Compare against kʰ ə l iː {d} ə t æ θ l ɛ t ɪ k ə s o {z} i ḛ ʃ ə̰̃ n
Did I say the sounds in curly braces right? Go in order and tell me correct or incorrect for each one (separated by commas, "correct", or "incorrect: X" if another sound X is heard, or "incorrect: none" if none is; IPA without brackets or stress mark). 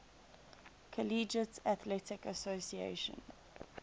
incorrect: d͡ʒ, incorrect: s